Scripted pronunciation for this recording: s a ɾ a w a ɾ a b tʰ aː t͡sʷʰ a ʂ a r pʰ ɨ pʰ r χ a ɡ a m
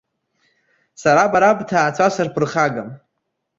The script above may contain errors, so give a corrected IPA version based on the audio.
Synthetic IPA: s a ɾ a b a ɾ a b tʰ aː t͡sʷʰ a s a r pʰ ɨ r χ a ɡ a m